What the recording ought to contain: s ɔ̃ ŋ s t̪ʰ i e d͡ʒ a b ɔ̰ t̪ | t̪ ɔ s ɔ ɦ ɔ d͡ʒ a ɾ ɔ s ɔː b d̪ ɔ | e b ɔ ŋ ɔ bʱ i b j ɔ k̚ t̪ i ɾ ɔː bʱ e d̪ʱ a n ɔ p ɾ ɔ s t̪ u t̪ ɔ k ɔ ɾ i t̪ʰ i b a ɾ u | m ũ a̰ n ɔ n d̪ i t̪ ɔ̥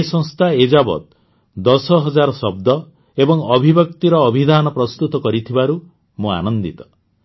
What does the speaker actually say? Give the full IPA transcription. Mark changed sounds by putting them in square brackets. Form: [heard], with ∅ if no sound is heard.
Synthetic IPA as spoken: s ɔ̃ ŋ s t̪ʰ [a] e d͡ʒ a b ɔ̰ t̪ | [d̪] ɔ s ɔ ɦ ɔ d͡ʒ a ɾ ɔ s [ɔ] b d̪ ɔ | e b ɔ ŋ ɔ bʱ i b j ɔ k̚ t̪ i ɾ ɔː bʱ [i] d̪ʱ a n ɔ p ɾ ɔ s t̪ u t̪ ɔ k ɔ ɾ i t̪ʰ i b a ɾ u | m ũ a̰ n ɔ n d̪ i t̪ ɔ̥